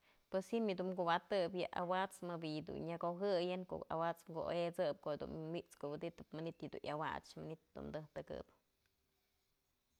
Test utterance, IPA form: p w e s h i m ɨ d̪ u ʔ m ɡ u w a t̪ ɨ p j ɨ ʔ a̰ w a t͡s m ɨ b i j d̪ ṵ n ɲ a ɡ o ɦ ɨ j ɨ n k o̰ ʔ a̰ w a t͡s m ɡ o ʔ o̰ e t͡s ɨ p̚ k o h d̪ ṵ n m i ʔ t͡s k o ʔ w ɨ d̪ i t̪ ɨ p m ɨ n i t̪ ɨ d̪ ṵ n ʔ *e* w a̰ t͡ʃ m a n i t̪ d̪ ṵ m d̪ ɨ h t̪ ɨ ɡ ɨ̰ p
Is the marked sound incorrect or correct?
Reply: incorrect